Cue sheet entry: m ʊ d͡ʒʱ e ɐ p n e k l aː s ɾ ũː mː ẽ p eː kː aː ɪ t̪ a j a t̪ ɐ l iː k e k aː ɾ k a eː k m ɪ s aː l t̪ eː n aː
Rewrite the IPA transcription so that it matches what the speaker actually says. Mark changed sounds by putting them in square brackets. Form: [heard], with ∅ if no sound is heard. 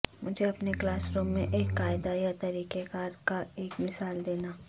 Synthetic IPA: m ʊ d͡ʒʱ e ɐ p n e k l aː s ɾ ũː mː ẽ [ʔ] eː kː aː ɪ [d̪] a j a t̪ ɐ [ɾ] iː k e k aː ɾ k a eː k m ɪ s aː l [d̪] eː n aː